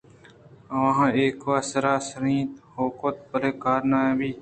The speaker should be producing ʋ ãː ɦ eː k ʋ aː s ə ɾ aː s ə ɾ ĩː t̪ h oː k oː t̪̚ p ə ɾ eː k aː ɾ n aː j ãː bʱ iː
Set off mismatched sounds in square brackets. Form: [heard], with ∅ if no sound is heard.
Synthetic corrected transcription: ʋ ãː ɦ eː k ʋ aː s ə ɾ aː s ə ɾ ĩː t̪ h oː k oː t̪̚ p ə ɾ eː k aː ɾ n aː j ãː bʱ iː